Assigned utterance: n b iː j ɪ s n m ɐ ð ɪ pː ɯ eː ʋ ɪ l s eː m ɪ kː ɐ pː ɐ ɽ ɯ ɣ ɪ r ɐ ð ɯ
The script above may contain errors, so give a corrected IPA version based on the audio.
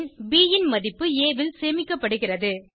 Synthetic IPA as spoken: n b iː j ɪ n m ɐ ð ɪ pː ɯ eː ʋ ɪ l s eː m ɪ kː ɐ pː ɐ ɽ ɯ ɣ ɪ r ɐ ð ɯ

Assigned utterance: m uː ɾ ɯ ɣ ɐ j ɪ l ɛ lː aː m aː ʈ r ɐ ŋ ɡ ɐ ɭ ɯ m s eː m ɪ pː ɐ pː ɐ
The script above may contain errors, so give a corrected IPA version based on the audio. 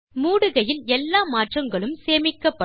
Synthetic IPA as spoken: m uː ɽ ɯ ɣ ɐ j ɪ l ɛ lː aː m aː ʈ r ɐ ŋ ɡ ɐ ɭ ɯ m s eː m ɪ kː ɐ pː ɐ

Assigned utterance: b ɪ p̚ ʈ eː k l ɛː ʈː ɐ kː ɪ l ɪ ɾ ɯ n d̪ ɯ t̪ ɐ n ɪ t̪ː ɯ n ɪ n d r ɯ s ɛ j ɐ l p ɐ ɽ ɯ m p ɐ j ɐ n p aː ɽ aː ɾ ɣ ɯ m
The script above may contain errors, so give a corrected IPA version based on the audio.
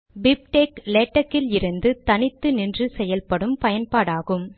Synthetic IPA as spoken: b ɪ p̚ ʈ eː k l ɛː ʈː ɐ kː ɪ l ɪ ɾ ɯ n d̪ ɯ t̪ ɐ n ɪ t̪ː ɯ n ɪ n d r ɯ s ɛ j ɐ l p ɐ ɽ ɯ m p ɐ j ɐ n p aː ɽ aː ɣ ɯ m

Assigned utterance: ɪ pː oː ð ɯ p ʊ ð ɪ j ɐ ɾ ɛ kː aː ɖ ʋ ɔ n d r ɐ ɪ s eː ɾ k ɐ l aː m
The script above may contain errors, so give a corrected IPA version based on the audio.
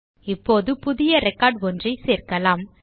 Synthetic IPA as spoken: ɪ pː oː ð ɯ p ʊ ð ɪ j ɐ ɾ ɛ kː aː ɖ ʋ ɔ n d r ɐ ɪ s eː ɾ k ɐ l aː m

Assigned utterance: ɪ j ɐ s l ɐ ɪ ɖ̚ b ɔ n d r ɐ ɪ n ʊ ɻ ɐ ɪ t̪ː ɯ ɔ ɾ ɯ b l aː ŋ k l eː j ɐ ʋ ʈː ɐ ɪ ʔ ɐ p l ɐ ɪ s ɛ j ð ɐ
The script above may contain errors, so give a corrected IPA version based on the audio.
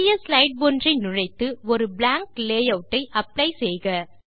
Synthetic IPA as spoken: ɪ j ɐ s l ɐ ɪ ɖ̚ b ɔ n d r ɐ ɪ n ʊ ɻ ɐ ɪ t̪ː ɯ ɔ ɾ ɯ b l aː ŋ k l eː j ɐ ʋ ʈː ɐ ɪ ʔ ɐ p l ɐ ɪ s ɛ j ɣ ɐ

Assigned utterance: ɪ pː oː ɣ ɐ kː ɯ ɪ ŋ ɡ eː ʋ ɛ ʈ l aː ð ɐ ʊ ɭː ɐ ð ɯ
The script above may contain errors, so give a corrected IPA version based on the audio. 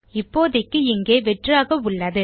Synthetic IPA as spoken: ɪ pː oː ð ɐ kː ɯ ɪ ŋ ɡ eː ʋ ɛ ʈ r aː ɣ ɐ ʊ ɭː ɐ ð ɯ

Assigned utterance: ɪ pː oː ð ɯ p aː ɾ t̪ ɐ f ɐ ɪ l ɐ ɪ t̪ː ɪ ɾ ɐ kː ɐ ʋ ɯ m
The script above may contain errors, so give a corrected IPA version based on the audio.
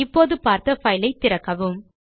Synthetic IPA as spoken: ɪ pː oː ð ɯ p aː ɾ t̪ ɐ f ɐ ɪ l ɐ ɪ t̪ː ɪ ɾ ɐ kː ɐ ʋ ɯ m

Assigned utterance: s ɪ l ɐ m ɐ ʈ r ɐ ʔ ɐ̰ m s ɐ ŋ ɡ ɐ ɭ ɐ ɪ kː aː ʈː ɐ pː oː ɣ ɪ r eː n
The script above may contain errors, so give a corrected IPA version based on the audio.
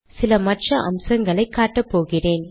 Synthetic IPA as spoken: s ɪ l ɐ m ɐ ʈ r ɐ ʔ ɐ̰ m s ɐ ŋ ɡ ɐ ɭ ɐ ɪ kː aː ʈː ɐ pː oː ɣ ɪ r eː n

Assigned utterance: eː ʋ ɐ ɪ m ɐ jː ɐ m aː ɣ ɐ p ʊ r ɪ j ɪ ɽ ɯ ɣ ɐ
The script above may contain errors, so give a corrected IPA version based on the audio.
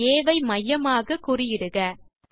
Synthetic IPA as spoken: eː ʋ ɐ ɪ m ɐ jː ɐ m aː ɣ ɐ k ʊ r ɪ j ɪ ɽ ɯ ɣ ɐ

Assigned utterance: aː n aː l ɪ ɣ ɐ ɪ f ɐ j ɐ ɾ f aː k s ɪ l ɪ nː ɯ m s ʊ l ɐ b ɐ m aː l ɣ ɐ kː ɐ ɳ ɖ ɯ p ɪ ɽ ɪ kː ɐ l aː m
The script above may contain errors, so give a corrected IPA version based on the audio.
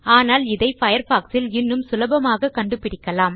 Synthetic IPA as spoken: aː n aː l ɪ ð ɐ ɪ f ɐ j ɐ ɾ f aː k s ɪ l ɪ nː ɯ m s ʊ l ɐ b ɐ m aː ɣ ɐ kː ɐ ɳ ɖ ɯ p ɪ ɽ ɪ kː ɐ l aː m

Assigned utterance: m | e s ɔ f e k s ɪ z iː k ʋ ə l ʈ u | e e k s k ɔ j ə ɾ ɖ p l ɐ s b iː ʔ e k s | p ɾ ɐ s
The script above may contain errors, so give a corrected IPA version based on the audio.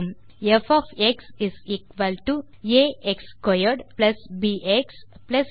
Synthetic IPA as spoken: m | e f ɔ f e k s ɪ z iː k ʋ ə l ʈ u | e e k s k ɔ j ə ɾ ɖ p l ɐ s b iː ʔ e k s | p l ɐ s

